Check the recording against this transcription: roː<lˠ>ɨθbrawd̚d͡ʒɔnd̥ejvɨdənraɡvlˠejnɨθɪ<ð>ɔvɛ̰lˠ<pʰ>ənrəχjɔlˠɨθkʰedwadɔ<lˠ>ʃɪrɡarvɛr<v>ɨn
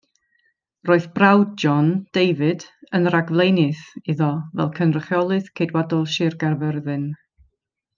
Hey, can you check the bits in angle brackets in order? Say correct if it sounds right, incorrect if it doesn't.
incorrect: none, correct, incorrect: kʰ, correct, incorrect: ð

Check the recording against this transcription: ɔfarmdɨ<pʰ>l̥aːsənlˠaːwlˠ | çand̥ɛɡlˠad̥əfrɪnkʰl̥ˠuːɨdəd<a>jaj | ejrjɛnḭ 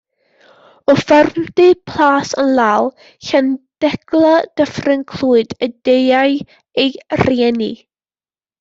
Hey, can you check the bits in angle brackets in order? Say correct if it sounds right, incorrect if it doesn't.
correct, incorrect: e

